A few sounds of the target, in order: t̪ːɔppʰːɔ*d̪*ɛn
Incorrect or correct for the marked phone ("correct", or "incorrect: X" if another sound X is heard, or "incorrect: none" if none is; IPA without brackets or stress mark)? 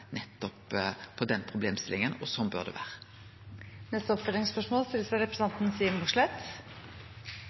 correct